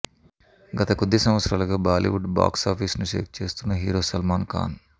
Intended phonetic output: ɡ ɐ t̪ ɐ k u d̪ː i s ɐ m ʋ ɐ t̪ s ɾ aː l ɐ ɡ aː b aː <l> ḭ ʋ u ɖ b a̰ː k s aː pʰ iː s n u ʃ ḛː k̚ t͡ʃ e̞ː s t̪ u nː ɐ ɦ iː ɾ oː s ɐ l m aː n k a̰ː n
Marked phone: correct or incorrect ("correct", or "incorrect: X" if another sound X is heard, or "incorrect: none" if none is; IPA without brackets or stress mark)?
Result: correct